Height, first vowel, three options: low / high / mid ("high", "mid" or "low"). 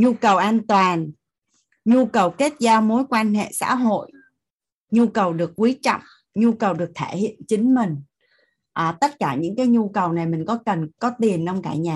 high